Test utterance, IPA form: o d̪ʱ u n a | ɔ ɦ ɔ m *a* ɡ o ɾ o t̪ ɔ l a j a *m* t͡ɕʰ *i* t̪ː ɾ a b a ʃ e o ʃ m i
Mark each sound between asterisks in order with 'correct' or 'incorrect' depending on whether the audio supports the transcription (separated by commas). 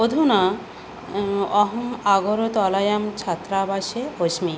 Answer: correct, correct, incorrect